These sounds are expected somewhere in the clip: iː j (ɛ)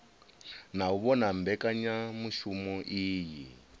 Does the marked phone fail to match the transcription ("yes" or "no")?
yes